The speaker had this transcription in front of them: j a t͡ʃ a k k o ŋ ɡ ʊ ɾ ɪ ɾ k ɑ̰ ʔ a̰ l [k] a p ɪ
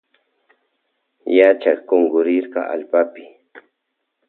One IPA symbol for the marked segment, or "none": p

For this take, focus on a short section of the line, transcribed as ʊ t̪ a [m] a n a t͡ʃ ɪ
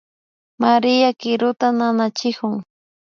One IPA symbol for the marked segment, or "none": n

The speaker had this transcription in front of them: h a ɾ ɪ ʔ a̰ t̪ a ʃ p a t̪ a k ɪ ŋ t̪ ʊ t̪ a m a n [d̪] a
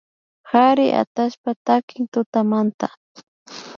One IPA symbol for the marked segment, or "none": t̪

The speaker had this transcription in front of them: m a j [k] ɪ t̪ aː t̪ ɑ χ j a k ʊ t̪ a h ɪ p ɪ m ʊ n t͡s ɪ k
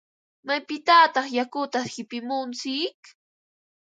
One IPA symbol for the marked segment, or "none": p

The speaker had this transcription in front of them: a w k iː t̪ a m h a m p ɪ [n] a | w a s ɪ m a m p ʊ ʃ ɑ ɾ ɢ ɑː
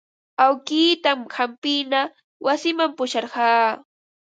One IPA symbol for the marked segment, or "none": n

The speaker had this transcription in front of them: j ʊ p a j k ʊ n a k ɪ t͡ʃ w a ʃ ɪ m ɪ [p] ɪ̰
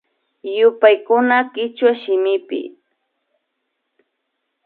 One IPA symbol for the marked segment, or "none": p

